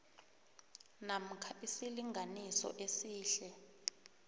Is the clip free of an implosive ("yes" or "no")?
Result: yes